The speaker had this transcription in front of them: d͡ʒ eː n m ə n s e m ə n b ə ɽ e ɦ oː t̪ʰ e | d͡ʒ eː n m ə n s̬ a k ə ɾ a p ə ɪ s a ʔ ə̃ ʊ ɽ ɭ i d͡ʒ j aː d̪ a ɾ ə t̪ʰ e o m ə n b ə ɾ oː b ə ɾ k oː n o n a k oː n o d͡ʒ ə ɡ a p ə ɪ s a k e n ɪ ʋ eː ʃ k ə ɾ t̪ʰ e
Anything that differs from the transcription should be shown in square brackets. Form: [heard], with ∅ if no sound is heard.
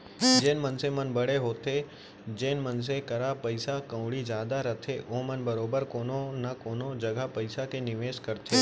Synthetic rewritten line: d͡ʒ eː n m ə n s e m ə n b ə ɽ e ɦ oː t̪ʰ e | d͡ʒ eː n m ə n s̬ [e] k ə ɾ a p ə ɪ s a [k] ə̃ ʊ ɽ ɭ i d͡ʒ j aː d̪ a ɾ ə t̪ʰ e o m ə n b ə ɾ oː b ə ɾ k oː n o n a k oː n o d͡ʒ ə ɡ a p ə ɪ s a k e n ɪ ʋ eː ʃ k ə ɾ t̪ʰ e